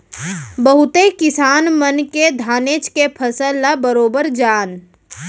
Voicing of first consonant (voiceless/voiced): voiced